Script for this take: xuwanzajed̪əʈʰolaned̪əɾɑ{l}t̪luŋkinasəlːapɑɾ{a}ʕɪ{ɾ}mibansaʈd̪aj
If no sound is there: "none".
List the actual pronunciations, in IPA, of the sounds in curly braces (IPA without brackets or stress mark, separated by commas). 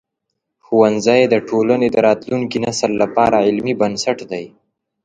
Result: none, a, l